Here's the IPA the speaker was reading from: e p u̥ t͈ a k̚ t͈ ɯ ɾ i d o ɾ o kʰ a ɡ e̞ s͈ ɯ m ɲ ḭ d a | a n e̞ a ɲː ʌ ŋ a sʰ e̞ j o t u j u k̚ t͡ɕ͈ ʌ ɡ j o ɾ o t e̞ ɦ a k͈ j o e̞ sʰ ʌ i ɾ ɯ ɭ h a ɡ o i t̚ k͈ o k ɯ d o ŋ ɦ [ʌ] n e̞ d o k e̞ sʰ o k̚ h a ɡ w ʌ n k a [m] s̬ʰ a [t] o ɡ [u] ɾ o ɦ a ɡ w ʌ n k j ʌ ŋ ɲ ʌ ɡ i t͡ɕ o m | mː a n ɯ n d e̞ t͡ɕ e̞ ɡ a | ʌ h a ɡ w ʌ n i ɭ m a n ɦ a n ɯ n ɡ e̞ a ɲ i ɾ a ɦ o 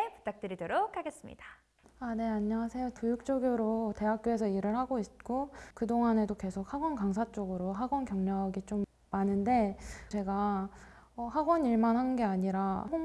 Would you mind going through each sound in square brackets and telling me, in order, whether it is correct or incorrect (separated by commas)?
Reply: incorrect, incorrect, incorrect, incorrect